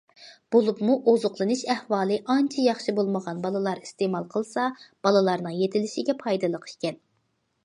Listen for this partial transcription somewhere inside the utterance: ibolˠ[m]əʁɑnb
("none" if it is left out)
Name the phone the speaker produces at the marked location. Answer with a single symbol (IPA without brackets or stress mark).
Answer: m